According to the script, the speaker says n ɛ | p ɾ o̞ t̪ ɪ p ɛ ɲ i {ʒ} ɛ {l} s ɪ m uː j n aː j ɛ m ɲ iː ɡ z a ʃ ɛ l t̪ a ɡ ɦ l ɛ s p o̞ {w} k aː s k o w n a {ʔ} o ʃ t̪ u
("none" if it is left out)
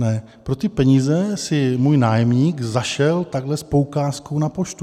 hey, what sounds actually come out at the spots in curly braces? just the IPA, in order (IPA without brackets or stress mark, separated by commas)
z, none, w, p